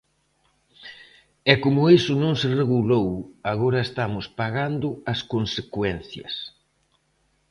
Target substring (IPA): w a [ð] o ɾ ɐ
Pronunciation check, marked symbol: incorrect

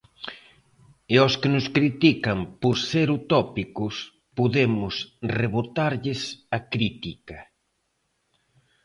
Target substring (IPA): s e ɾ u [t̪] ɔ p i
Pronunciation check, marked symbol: correct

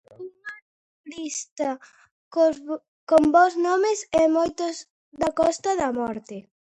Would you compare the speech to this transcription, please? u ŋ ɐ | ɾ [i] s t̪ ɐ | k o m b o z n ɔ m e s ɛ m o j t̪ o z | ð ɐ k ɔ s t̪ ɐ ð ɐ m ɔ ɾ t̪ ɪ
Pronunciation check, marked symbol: correct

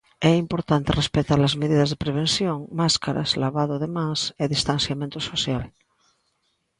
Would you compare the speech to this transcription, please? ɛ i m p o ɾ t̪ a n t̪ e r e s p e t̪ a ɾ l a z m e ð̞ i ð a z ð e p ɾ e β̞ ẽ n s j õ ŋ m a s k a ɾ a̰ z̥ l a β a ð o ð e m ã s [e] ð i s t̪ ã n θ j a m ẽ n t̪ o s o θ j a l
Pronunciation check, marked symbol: correct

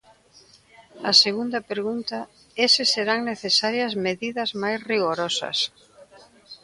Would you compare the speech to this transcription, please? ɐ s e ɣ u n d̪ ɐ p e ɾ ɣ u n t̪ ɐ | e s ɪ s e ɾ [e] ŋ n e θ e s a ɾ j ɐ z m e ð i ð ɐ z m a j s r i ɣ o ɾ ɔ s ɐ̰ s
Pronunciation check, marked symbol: incorrect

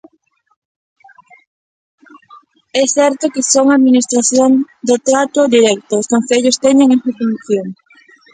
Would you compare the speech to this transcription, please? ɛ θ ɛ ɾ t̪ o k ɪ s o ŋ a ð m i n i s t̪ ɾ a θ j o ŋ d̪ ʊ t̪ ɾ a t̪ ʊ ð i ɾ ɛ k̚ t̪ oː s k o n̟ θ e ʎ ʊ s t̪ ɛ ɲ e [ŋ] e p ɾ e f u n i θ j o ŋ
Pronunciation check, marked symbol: correct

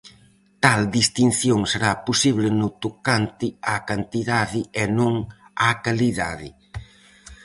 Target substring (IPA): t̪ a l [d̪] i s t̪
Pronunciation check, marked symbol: correct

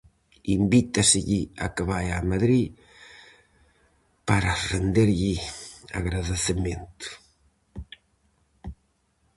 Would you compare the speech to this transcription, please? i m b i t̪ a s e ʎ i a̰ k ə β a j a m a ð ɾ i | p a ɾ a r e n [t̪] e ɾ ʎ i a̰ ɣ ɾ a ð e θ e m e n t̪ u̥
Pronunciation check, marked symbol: incorrect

